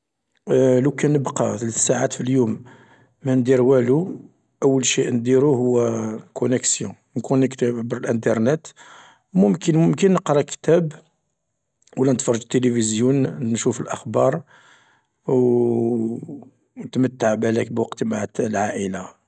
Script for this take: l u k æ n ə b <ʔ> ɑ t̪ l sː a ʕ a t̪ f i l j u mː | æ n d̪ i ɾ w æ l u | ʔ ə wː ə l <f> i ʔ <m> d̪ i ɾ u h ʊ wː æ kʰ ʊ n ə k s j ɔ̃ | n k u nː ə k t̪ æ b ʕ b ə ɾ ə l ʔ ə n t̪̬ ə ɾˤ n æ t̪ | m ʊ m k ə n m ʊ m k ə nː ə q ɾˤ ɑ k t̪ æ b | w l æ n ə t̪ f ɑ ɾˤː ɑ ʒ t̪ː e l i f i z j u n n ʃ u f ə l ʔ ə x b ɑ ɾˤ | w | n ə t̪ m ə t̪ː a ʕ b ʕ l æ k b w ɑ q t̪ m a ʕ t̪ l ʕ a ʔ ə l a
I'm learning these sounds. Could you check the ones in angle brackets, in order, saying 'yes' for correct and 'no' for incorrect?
no, no, no

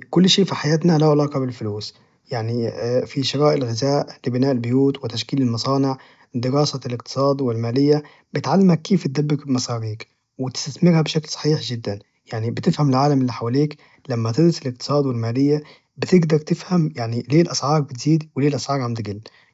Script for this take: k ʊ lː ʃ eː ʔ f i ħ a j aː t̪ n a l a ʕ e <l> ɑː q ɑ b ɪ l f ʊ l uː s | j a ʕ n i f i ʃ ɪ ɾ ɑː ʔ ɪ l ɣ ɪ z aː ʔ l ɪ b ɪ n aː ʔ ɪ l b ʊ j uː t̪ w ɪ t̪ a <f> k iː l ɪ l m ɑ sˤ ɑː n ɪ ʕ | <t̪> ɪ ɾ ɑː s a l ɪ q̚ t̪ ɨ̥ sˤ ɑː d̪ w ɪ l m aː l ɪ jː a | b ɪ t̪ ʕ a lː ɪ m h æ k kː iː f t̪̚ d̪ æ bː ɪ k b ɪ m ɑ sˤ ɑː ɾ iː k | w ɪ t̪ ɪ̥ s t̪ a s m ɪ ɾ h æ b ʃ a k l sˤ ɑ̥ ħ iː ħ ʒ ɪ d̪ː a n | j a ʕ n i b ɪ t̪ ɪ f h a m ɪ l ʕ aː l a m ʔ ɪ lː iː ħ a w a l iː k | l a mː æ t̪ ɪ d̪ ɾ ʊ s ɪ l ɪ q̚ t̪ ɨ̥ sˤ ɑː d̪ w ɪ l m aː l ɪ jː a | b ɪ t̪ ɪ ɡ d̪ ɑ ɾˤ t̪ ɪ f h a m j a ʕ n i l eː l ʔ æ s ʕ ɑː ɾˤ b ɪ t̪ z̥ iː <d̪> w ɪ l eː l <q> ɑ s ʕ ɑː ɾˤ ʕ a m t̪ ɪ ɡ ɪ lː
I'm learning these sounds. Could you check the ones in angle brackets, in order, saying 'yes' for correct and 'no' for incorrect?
yes, no, no, yes, no

